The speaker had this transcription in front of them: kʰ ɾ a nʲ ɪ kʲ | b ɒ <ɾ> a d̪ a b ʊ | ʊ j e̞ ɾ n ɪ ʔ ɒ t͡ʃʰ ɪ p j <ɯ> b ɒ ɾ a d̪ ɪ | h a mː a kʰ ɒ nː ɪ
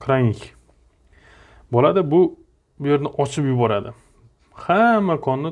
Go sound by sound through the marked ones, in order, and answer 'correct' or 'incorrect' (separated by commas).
incorrect, incorrect